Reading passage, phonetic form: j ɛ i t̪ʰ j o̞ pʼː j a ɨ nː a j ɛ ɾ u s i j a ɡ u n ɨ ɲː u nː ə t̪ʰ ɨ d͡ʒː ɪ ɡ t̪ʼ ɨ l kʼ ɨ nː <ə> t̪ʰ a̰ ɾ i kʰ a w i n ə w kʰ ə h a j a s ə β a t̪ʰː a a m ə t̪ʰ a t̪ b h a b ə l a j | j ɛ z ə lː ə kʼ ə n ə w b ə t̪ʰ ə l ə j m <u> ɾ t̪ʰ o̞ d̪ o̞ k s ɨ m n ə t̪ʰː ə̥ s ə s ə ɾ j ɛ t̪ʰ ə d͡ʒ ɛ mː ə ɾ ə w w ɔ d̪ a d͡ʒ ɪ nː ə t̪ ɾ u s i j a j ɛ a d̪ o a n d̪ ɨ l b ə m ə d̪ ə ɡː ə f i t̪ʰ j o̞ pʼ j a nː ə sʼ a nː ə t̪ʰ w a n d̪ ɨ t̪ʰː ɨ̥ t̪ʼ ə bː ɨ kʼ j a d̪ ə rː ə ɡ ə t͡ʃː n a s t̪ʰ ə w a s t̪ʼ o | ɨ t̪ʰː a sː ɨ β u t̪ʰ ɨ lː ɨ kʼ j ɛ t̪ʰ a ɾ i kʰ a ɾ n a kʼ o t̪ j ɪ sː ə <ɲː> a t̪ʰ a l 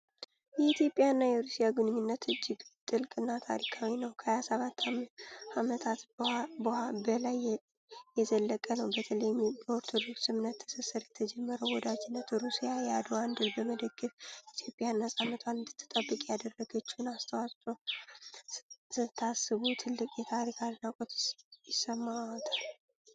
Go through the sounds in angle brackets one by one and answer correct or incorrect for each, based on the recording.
incorrect, incorrect, incorrect

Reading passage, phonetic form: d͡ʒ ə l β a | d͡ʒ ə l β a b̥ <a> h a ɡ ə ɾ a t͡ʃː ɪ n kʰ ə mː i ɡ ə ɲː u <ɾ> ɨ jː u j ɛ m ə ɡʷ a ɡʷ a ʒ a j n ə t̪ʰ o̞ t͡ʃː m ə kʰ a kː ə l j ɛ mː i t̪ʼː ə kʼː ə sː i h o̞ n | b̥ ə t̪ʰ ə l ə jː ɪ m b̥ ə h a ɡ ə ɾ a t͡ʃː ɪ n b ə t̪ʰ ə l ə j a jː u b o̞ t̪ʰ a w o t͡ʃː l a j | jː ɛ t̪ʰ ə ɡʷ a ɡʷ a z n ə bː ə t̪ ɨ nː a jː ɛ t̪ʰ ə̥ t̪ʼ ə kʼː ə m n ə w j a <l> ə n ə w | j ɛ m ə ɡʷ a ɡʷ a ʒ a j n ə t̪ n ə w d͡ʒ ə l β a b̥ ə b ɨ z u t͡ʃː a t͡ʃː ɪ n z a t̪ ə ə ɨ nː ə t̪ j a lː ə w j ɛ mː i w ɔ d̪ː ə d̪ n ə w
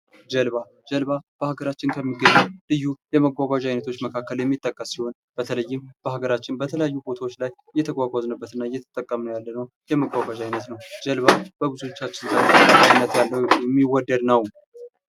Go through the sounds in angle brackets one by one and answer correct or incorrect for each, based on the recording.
incorrect, incorrect, incorrect

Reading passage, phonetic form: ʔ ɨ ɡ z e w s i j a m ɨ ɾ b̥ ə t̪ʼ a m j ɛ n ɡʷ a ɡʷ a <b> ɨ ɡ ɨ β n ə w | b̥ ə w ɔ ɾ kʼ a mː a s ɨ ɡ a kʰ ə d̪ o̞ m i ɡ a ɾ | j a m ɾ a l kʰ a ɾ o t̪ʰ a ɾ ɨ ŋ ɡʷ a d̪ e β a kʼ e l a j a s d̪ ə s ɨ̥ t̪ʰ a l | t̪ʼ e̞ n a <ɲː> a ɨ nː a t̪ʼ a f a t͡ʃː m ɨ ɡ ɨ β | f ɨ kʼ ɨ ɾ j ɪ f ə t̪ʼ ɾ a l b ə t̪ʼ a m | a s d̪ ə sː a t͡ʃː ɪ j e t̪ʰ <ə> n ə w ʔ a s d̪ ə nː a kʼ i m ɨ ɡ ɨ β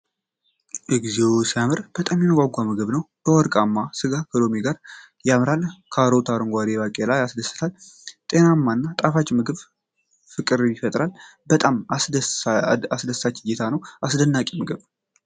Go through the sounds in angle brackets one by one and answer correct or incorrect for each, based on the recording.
incorrect, incorrect, incorrect

